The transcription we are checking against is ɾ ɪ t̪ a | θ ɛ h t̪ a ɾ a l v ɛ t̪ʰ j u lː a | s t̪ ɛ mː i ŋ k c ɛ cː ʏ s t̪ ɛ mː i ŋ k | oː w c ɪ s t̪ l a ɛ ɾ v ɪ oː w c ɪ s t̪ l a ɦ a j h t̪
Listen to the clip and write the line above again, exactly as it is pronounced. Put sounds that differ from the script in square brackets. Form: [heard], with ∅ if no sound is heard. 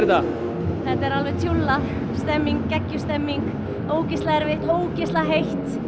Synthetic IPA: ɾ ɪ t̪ a | θ ɛ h t̪ [ɛ] ɾ a l v ɛ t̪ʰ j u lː a | s t̪ ɛ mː i ŋ k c ɛ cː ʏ s t̪ ɛ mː i ŋ k | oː w c ɪ s t̪ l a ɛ ɾ v ɪ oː w c ɪ s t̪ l a ɦ [e] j h t̪

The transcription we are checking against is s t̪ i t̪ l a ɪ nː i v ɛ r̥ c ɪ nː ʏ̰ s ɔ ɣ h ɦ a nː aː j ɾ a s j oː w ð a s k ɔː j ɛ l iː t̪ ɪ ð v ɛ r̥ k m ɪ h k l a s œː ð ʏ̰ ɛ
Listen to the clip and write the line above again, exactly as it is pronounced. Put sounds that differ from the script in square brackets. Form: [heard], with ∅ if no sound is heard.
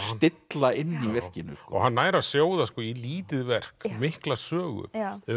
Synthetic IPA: s t̪ [ɪ] t̪ l a ɪ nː i v ɛ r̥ c ɪ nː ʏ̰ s ɔ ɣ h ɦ a nː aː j ɾ a s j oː w ð a s k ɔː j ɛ l iː t̪ ɪ ð v ɛ r̥ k m ɪ h k l a s œː [ɣ] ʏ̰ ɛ

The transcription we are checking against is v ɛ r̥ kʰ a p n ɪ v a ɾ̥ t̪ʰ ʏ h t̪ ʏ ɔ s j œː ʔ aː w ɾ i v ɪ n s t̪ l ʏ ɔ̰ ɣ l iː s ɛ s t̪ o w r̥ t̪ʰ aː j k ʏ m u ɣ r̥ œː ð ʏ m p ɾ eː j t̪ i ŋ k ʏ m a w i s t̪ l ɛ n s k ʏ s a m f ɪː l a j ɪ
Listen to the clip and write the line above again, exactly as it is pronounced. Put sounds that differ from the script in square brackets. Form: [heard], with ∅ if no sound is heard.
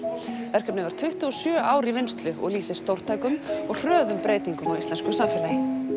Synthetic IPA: v ɛ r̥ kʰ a p n ɪ v a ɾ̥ t̪ʰ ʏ h t̪ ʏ ɔ s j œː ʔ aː w ɾ i v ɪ n s t̪ l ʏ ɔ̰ ɣ l iː s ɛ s t̪ o w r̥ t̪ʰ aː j k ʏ m [ɔ] ɣ r̥ œː ð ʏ m p ɾ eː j t̪ i ŋ k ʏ m a w i s t̪ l ɛ n s k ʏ s a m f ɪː l a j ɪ

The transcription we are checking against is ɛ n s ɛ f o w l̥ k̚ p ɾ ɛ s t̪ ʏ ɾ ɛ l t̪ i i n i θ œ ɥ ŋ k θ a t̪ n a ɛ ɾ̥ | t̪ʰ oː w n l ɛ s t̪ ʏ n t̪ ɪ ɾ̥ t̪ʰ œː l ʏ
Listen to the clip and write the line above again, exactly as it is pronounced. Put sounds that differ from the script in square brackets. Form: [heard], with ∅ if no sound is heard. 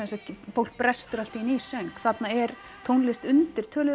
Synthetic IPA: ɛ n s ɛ f o w l̥ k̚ p ɾ ɛ s t̪ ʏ ɾ [a] l t̪ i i n i [s] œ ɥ ŋ k θ a t̪ n a ɛ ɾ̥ | t̪ʰ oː w n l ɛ s t̪ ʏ n t̪ ɪ ɾ̥ t̪ʰ œː l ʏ

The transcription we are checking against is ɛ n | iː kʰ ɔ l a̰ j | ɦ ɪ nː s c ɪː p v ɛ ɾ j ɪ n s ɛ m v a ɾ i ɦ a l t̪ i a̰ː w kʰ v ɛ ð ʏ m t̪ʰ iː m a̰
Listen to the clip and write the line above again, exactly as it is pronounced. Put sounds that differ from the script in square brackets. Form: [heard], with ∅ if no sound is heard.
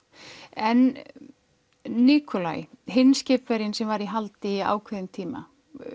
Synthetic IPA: ɛ n | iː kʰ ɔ l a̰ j | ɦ ɪ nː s c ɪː p v ɛ ɾ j ɪ n s ɛ m v a ɾ i ɦ a l t̪ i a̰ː w kʰ v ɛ ð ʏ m t̪ʰ iː m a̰

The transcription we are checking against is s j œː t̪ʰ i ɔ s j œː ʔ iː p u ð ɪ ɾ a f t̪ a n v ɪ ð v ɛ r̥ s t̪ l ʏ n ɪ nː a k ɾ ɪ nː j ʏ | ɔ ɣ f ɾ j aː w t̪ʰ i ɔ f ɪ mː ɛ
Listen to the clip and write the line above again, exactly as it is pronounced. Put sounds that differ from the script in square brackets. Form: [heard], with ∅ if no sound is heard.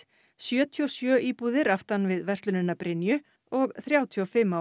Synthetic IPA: s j œː t̪ʰ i ɔ s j œː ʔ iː p u ð ɪ ɾ a f t̪ a n v ɪ ð v ɛ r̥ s t̪ l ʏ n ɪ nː a [p] ɾ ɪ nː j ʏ | ɔ ɣ [θ] ɾ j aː w t̪ʰ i ɔ f ɪ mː [a]

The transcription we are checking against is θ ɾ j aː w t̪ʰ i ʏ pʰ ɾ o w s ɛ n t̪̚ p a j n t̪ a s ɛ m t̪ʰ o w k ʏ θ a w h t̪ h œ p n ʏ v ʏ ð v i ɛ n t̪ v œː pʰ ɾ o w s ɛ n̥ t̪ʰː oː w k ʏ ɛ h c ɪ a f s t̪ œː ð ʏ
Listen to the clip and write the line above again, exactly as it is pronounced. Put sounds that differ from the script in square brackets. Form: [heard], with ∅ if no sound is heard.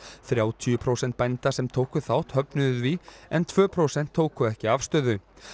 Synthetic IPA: θ ɾ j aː w t̪ʰ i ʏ pʰ ɾ o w s ɛ n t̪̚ p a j n t̪ a s ɛ m t̪ʰ o w k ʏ θ a w h t̪ h œ p n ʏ [ð] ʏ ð v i ɛ n [t̪ʰ] v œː pʰ ɾ o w s ɛ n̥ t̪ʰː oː w k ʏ ɛ h c ɪ a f s t̪ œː ð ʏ

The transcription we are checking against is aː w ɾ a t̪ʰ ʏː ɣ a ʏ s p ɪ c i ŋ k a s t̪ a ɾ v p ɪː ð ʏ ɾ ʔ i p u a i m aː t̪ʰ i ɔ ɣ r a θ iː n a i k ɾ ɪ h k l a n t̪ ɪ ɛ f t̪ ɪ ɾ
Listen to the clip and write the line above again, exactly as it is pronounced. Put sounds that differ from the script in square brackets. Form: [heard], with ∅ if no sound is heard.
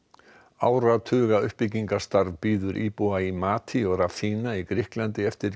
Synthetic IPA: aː w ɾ a t̪ʰ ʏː ɣ a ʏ [h] p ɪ c i ŋ k a s t̪ a ɾ v p [iː] ð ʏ ɾ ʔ i p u a i m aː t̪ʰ i ɔ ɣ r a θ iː n a i k ɾ ɪ h k l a n t̪ ɪ ɛ f t̪ ɪ ɾ

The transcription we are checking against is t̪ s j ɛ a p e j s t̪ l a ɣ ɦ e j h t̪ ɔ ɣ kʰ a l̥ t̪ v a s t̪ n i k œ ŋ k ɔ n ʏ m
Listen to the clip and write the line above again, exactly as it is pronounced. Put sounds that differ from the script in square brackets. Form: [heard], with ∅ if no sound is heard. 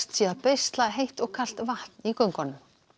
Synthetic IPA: t̪ s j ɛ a p e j s t̪ l a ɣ ɦ e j h t̪ ɔ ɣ kʰ a l̥ t̪ v a [h] t̪ n i k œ ŋ k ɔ n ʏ m

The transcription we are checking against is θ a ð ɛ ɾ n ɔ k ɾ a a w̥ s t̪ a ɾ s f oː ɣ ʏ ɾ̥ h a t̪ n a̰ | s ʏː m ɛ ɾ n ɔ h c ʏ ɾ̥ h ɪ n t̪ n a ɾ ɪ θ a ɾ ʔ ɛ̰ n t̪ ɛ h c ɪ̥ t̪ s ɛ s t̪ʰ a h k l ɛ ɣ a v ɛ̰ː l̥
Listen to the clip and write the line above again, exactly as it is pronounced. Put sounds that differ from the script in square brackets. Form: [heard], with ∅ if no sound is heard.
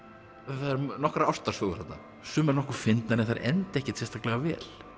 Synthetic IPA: θ a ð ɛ ɾ n ɔ k ɾ a a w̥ s t̪ a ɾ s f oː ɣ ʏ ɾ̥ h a t̪ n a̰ | s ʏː m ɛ ɾ n ɔ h [k] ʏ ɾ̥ [f] ɪ n t̪ n a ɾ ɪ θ a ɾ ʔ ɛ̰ n t̪ ɛ h c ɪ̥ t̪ s ɛ s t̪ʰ a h k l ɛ ɣ a v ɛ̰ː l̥

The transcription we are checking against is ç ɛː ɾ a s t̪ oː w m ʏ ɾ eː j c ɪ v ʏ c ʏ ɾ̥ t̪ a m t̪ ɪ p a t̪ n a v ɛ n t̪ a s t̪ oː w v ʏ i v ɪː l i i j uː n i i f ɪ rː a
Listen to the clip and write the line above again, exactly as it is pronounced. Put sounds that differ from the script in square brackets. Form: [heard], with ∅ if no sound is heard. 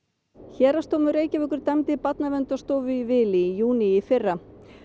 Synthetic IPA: ç ɛː ɾ a s t̪ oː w m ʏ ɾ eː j c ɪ v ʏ [k] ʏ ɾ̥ t̪ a m t̪ ɪ p a t̪ n a v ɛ n t̪ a s t̪ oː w v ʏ i v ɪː l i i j uː n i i f ɪ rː a

